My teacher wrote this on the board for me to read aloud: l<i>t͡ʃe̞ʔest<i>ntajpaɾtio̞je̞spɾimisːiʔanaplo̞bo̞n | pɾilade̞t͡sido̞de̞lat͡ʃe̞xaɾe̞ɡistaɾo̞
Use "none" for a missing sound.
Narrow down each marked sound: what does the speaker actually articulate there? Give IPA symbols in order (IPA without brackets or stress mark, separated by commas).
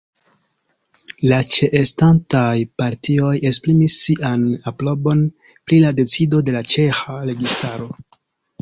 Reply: a, a